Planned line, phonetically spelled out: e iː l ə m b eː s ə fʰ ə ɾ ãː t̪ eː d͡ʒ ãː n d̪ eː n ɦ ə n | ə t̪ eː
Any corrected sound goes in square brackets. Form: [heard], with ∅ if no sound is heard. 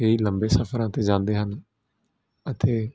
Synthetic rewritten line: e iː l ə m b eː s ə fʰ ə ɾ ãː t̪ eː d͡ʒ ãː n d̪ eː [∅] ɦ ə n | ə t̪ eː